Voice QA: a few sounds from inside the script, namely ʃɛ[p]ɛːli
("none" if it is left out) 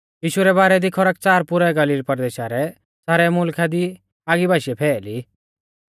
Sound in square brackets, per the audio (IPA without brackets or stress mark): pʰ